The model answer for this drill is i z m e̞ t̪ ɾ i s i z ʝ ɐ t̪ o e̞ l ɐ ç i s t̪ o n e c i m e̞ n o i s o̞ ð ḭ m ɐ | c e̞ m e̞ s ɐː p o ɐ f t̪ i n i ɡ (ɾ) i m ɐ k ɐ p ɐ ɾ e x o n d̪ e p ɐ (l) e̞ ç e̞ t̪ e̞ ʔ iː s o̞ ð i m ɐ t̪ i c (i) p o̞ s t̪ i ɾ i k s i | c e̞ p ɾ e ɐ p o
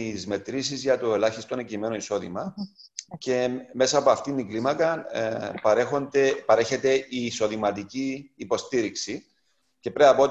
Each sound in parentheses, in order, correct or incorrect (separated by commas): incorrect, incorrect, incorrect